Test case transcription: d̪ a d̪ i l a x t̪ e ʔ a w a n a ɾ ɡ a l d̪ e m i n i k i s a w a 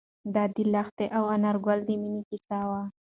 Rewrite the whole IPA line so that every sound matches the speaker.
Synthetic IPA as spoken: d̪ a d̪ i l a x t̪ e ʔ a w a n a ɾ ɡ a l d̪ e m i n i k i s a w a